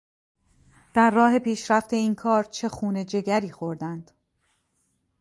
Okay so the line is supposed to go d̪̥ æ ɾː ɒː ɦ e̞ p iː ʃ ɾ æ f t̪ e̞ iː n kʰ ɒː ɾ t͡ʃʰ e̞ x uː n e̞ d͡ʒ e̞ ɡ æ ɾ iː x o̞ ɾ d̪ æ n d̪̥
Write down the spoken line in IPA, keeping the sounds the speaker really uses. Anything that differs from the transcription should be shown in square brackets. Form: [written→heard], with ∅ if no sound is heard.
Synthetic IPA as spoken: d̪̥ æ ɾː ɒː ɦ e̞ p iː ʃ ɾ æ f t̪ e̞ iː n kʰ ɒː ɾ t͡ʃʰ e̞ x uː n e̞ d͡ʒ e̞ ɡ æ ɾ iː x o̞ ɾ d̪ æ n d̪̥